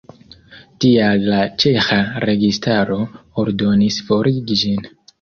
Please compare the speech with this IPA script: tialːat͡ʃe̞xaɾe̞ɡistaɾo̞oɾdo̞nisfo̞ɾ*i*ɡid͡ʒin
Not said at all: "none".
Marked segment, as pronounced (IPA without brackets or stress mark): i